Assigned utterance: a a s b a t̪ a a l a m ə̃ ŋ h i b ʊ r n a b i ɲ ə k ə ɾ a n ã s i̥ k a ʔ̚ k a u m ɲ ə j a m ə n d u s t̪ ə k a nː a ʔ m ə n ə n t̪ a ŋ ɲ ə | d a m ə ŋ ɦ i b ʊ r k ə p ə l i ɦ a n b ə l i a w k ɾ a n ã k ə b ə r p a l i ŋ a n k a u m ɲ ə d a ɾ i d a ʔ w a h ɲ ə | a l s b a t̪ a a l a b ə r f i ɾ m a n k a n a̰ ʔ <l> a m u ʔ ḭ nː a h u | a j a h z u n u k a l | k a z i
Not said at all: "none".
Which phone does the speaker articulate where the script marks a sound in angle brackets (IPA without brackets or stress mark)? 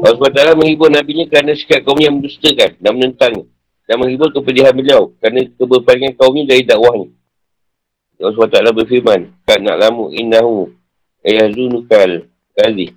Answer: l